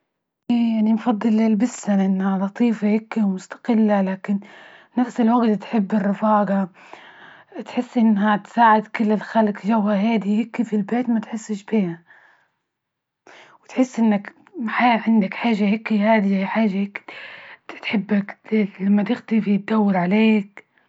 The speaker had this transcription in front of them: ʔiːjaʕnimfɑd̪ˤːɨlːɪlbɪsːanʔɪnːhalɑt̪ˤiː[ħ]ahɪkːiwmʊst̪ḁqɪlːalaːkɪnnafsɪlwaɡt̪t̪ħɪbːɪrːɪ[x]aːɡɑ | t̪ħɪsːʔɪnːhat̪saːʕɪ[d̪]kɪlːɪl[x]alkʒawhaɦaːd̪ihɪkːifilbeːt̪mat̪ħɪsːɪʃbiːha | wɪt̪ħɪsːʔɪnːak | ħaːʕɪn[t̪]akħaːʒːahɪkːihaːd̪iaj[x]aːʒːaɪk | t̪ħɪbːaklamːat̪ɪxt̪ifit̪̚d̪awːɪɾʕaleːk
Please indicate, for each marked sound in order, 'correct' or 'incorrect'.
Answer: incorrect, incorrect, correct, correct, incorrect, incorrect

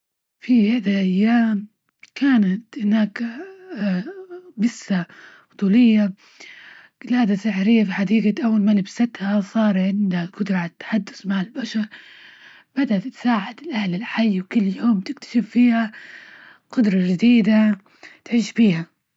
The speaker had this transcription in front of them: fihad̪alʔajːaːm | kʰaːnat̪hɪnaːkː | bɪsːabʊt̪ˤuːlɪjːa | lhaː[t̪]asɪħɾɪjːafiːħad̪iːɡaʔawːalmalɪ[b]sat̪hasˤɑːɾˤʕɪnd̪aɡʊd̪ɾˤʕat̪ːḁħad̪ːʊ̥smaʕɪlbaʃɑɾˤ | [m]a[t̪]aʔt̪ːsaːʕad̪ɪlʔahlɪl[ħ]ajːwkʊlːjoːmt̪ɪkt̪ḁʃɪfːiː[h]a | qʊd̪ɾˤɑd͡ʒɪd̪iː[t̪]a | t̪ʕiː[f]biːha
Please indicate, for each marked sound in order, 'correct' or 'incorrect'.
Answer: incorrect, correct, incorrect, incorrect, correct, correct, incorrect, incorrect

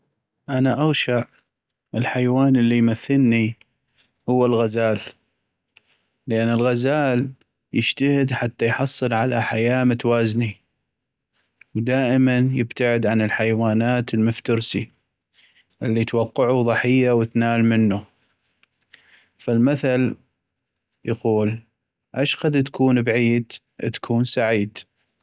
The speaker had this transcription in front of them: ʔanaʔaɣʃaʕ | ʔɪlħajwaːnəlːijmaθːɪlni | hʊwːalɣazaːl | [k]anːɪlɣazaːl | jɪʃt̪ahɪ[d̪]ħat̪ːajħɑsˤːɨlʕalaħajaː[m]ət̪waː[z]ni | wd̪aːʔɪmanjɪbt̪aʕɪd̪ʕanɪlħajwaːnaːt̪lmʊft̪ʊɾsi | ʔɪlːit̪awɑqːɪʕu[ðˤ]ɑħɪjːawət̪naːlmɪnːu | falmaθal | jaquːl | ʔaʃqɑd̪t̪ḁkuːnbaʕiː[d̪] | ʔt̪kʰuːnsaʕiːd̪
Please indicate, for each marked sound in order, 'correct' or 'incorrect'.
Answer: incorrect, correct, correct, correct, correct, correct

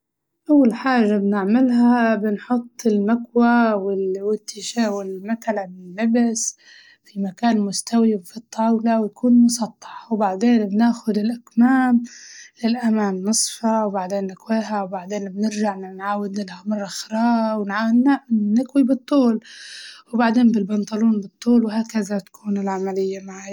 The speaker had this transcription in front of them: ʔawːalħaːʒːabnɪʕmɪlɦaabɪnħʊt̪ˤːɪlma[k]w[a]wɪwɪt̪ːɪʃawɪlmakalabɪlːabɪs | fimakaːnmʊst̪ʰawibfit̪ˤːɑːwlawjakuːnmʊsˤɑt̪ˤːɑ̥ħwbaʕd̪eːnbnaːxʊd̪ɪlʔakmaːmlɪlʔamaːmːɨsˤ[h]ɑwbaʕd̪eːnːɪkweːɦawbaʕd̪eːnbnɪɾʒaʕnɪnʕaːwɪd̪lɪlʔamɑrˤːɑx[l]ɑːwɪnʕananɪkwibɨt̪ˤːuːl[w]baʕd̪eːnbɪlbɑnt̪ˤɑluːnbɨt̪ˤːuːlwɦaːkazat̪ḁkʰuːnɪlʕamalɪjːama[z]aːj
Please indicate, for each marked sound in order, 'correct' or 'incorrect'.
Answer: correct, correct, incorrect, incorrect, correct, incorrect

